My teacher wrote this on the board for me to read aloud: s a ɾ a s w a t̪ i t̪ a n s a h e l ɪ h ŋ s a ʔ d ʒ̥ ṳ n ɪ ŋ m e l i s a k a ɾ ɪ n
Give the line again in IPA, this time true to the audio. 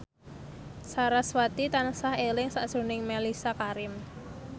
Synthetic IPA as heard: s a ɾ a s w a t̪ i t̪ a n s a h e l ɪ ŋ s a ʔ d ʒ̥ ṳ n ɪ ŋ m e l i s a k a ɾ ɪ m